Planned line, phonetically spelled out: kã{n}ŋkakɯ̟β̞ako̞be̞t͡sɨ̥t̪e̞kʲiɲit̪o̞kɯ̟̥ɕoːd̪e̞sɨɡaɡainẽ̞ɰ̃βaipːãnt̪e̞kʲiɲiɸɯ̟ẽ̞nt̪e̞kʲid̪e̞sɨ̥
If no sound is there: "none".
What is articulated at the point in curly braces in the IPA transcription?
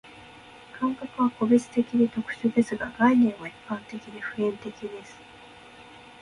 none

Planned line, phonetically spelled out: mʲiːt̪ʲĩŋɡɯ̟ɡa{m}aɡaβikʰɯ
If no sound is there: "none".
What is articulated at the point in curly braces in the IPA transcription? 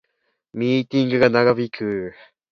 n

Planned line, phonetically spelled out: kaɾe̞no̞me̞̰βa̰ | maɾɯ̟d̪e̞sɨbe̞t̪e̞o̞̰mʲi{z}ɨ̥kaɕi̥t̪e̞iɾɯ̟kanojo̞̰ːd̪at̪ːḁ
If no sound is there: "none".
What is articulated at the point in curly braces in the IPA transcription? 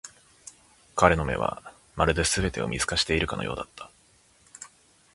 z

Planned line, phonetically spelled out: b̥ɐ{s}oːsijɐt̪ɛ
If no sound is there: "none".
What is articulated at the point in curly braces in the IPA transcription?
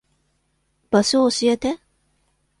s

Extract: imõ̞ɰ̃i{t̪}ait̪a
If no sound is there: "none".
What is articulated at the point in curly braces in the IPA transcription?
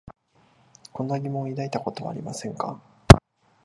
d̪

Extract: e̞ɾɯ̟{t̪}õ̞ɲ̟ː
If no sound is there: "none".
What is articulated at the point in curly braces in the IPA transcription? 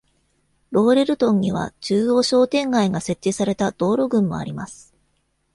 t̪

